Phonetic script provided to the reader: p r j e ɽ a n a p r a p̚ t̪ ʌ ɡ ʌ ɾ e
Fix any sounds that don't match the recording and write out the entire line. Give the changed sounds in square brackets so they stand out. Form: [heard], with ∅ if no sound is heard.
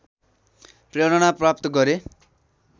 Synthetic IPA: p r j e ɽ [ʌ] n a p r a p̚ t̪ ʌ ɡ ʌ ɾ e